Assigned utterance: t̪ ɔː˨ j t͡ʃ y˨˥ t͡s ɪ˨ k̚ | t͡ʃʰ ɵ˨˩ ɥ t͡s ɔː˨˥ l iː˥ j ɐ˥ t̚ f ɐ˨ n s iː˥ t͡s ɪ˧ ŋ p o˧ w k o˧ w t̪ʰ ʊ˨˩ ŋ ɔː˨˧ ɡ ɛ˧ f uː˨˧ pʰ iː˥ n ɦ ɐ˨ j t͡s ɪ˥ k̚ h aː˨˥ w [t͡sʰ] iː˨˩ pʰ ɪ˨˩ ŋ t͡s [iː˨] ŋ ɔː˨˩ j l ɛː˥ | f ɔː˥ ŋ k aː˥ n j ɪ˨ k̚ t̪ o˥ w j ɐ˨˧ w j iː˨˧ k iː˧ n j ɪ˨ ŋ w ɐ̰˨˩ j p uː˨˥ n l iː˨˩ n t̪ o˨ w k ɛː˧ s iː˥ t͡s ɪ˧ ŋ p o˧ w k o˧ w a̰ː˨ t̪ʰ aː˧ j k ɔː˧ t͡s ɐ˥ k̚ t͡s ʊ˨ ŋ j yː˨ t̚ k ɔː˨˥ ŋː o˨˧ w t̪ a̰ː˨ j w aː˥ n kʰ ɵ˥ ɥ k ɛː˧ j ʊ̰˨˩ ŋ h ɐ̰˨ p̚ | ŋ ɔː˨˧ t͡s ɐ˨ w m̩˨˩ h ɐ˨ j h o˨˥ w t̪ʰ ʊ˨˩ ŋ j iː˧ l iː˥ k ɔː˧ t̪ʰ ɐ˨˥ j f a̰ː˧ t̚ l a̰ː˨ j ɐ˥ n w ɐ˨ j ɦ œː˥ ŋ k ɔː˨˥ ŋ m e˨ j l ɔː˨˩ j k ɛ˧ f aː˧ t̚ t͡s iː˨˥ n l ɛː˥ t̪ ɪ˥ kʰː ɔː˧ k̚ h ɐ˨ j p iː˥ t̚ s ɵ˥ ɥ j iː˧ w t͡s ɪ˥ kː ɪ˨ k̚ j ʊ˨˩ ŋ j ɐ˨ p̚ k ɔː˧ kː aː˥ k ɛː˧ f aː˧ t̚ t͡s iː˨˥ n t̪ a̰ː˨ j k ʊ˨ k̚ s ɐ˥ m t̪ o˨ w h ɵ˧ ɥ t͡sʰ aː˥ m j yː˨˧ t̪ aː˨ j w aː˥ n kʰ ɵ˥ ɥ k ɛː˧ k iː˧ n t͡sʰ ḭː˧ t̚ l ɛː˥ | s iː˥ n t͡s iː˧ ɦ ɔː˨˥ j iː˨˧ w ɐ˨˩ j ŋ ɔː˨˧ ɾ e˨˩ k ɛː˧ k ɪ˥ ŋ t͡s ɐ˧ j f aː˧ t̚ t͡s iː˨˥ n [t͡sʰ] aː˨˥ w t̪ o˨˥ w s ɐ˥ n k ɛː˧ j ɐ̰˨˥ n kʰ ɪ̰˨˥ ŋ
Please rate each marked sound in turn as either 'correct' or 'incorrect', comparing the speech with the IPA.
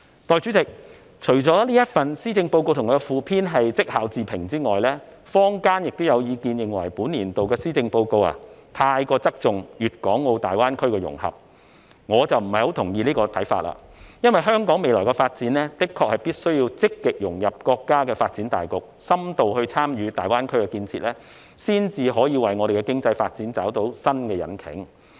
incorrect: t͡s, incorrect: iː˥, incorrect: t͡s

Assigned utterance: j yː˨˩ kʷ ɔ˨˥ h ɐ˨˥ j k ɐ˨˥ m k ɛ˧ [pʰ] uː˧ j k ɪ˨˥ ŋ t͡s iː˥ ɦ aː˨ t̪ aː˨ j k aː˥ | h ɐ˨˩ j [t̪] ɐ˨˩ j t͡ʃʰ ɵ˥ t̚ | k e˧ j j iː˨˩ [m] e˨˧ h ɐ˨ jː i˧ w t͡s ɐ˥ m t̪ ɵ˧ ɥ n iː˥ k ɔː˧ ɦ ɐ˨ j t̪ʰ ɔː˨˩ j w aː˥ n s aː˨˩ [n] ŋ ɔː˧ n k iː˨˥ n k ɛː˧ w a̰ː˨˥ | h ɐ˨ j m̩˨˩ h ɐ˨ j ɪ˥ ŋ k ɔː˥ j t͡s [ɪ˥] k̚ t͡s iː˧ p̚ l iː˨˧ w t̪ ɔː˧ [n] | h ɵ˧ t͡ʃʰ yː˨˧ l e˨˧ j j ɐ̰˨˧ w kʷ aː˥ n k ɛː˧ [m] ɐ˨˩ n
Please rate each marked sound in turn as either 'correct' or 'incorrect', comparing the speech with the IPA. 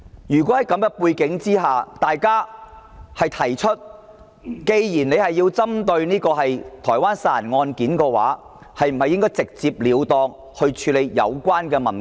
incorrect: p, incorrect: t̪ʰ, incorrect: n, correct, incorrect: ɪ˨, incorrect: ŋ, correct

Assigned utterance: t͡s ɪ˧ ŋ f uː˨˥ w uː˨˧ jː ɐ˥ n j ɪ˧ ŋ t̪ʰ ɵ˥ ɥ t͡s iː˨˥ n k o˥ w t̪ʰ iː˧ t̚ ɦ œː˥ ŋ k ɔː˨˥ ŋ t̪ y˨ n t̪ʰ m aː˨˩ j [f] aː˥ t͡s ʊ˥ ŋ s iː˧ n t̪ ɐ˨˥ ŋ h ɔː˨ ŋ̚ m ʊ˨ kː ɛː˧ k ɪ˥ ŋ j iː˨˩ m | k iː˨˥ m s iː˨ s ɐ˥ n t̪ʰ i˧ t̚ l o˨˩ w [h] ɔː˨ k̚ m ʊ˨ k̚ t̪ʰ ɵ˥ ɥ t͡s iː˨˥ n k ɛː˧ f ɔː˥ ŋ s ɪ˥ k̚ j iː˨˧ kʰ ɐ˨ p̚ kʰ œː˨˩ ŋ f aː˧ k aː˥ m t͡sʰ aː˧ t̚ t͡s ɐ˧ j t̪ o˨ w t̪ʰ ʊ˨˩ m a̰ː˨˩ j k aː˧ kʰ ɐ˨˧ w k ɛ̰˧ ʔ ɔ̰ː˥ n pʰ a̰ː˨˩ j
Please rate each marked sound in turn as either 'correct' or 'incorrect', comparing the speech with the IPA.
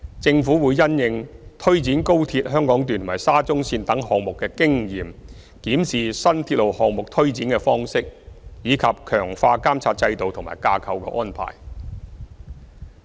incorrect: s, correct

